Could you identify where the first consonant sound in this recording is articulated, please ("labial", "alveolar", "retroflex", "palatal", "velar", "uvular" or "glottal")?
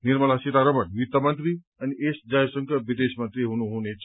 alveolar